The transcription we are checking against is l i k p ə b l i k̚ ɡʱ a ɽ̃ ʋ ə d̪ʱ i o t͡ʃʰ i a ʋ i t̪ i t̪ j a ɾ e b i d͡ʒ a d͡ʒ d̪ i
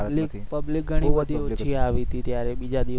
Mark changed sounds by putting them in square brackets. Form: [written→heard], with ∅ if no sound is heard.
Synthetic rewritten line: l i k p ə b l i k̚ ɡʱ [a→ə] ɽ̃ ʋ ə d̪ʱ i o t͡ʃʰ i a ʋ i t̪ i t̪ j a ɾ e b i d͡ʒ a [d͡ʒ→∅] d̪ i